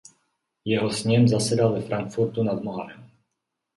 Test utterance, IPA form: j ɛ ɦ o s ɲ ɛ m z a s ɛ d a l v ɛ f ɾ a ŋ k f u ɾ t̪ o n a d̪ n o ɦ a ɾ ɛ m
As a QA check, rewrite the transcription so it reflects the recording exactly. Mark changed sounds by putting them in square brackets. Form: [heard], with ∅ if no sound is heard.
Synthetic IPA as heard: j ɛ ɦ o s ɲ ɛ m z a s ɛ d a l v ɛ f ɾ a ŋ k f u ɾ t̪ [u] n a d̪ [m] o ɦ a ɾ ɛ m